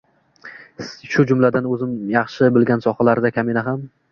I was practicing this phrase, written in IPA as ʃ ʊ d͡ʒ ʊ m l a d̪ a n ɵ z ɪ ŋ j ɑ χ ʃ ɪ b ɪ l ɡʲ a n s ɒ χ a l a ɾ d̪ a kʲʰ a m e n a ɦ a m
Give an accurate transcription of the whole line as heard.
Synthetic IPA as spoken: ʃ ʊ d͡ʒ ʊ m l a d̪ a n ɵ z ɪ m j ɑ χ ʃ ɪ b ɪ l ɡʲ a n s ɒ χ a l a ɾ d̪ a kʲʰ a m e n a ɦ a m

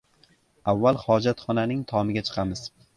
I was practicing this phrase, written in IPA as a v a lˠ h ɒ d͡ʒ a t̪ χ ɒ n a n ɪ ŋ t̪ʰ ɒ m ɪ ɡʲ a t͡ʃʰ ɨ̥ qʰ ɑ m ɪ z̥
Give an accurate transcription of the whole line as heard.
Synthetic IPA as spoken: a vː a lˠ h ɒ d͡ʒ a t̪ χ ɒ n a n ɪ ŋ t̪ʰ ɒ m ɪ ɡʲ a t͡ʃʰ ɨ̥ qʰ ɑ m ɪ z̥

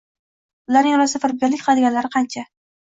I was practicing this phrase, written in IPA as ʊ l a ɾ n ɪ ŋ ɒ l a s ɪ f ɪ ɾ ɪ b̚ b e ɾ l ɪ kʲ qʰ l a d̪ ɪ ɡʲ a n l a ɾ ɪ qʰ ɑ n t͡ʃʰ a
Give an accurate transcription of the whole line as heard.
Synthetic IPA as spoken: ʊ l a ɾ n ɪ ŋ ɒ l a s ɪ f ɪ ɾ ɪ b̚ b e ɾ l ɪ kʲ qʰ l a d̪ ɪ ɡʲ a n l a ɾ ɪ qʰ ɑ n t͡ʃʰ a

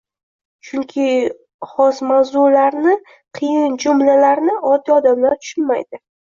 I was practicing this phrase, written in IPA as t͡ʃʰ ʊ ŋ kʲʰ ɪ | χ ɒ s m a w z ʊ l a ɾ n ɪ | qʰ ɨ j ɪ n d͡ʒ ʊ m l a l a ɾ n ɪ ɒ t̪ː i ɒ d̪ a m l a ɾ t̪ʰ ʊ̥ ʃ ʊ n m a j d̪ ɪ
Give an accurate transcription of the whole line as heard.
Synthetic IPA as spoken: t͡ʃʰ ʊ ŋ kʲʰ ɪ | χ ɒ s m a w z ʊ l a ɾ n ɪ | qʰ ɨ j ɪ n d͡ʒ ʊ m l a l a ɾ n ɪ ɒ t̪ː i ɒ d̪ a m l a ɾ t̪ʰ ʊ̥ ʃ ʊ n m a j d̪ ɪ

